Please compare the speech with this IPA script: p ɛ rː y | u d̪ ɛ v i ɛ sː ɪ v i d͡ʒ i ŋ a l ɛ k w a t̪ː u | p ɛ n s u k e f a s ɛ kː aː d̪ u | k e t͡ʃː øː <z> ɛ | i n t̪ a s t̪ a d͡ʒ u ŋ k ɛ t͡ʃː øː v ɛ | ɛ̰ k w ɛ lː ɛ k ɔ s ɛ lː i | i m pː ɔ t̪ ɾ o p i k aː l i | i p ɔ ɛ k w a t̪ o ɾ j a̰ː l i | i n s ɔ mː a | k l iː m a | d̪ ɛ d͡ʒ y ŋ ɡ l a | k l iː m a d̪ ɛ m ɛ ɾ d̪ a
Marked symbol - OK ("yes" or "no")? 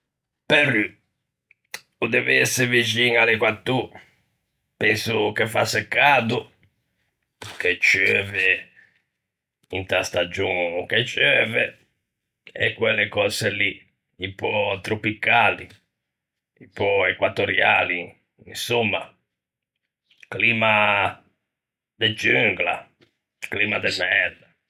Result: no